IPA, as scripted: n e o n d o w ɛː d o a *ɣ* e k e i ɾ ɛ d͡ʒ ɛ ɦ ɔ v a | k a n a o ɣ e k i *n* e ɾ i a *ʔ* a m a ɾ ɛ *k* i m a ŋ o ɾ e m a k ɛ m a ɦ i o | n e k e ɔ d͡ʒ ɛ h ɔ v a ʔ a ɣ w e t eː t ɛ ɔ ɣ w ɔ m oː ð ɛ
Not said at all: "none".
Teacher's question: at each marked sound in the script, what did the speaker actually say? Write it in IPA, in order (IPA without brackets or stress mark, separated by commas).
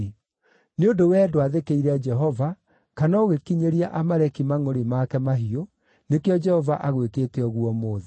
ð, ɲ, ʔ, k